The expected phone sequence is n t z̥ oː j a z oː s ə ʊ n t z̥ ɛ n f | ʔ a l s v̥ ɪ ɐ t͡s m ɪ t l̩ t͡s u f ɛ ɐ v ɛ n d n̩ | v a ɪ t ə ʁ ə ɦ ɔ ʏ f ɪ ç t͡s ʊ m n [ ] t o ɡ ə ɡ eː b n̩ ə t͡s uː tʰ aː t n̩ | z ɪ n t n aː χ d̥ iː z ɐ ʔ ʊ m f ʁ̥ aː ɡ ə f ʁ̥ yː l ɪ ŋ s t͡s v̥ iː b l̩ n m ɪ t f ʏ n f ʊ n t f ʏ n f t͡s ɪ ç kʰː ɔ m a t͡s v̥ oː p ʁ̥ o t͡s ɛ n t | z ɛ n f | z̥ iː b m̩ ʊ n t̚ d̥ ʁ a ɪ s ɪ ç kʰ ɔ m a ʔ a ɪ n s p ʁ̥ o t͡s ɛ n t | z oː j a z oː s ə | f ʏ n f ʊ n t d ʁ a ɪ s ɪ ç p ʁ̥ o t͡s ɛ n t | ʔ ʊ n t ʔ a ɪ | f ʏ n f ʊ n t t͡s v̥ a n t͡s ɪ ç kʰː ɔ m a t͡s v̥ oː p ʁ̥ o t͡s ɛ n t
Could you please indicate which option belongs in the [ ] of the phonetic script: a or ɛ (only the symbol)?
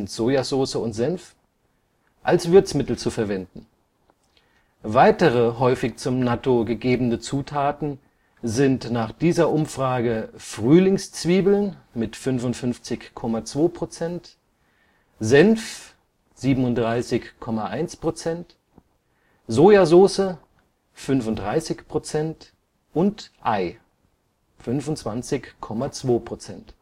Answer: a